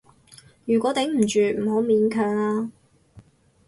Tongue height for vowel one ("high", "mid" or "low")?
high